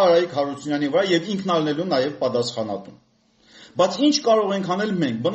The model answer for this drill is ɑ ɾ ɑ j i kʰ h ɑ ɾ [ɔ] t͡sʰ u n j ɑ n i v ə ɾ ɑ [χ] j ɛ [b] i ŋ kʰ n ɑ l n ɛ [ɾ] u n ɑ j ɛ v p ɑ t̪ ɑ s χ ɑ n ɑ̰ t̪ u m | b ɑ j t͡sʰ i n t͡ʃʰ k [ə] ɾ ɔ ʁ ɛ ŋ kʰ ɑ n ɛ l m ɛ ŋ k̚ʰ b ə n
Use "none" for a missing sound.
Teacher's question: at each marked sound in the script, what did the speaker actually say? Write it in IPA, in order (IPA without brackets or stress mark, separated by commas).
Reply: u, none, v, l, ɑ